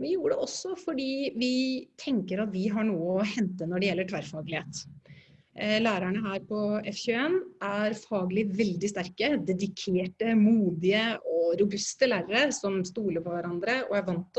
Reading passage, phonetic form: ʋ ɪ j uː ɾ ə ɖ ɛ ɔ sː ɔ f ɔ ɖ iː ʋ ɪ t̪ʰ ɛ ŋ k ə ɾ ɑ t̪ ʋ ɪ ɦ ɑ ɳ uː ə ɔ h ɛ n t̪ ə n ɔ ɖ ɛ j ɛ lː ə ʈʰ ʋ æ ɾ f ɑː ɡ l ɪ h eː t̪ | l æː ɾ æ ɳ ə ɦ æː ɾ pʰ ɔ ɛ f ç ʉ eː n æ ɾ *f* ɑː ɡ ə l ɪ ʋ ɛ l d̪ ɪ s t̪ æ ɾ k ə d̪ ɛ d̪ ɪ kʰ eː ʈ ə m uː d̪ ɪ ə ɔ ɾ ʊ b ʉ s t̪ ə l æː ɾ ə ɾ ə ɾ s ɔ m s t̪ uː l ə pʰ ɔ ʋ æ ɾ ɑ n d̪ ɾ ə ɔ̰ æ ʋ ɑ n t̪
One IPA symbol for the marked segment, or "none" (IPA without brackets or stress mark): f